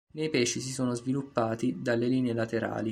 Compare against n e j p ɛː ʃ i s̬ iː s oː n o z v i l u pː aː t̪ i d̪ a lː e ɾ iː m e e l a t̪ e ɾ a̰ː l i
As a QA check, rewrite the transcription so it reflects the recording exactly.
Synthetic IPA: n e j p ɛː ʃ i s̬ i s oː n o z v i l u pː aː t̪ i d̪ a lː e l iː n e e l a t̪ e ɾ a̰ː l i